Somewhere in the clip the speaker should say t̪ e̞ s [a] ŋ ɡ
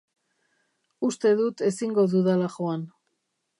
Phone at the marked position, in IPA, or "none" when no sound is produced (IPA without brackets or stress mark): i